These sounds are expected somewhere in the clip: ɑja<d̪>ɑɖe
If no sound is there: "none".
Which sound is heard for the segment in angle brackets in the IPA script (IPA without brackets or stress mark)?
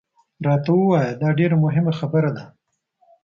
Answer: d̪